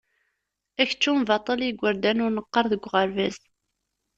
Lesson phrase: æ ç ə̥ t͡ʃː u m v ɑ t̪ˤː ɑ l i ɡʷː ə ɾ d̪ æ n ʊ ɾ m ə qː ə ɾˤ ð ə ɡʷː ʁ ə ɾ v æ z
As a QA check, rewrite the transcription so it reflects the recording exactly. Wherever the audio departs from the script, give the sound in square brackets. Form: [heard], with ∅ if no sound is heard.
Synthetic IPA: æ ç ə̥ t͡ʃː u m v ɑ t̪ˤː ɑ l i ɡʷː ə ɾ d̪ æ n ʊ ɾ [n] ə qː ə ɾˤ ð ə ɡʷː ʁ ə ɾ v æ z